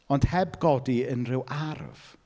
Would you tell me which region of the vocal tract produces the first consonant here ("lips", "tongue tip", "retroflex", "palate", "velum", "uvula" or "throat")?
tongue tip